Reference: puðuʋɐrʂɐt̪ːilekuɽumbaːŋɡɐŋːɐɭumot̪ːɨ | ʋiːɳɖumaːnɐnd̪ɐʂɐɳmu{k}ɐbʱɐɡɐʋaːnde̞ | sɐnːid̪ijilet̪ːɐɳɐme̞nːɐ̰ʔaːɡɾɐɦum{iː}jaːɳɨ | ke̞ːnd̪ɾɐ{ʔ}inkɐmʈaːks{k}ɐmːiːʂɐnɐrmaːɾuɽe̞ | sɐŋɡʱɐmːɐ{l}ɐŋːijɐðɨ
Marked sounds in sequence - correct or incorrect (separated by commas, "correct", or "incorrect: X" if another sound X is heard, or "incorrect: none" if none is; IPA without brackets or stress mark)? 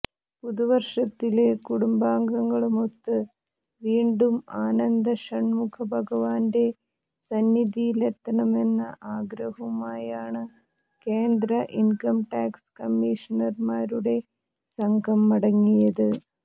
incorrect: kʰ, incorrect: aː, correct, correct, incorrect: ɽ